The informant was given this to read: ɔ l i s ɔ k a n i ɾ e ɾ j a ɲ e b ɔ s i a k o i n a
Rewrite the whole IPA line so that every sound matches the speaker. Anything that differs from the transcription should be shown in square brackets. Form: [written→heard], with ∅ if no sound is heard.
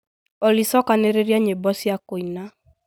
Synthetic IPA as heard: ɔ l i s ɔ k a n [i→e] ɾ e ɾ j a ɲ e b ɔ s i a k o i n a